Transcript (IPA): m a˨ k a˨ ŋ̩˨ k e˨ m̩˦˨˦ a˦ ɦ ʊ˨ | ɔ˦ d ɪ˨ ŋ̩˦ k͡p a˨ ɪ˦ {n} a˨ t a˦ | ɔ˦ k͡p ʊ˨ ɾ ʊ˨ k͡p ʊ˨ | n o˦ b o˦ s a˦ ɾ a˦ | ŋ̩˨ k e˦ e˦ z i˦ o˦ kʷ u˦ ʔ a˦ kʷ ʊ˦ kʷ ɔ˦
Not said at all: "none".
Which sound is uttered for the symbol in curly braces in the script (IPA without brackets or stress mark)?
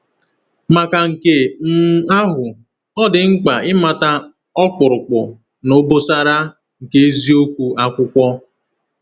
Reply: m